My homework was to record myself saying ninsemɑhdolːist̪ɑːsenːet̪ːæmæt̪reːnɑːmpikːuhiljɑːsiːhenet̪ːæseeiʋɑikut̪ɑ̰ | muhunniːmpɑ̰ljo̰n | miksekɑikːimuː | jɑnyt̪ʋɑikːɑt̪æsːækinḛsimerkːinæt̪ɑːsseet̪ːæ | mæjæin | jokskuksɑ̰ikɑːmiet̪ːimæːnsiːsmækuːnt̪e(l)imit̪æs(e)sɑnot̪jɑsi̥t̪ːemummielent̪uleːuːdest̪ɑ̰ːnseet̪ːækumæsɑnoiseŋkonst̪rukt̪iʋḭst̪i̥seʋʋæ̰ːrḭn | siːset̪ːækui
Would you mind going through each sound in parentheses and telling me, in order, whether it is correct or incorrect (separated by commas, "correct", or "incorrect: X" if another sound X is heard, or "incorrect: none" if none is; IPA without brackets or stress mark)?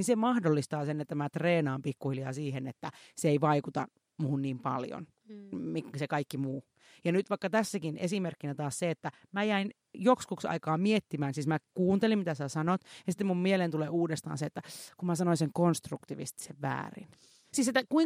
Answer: correct, incorrect: æ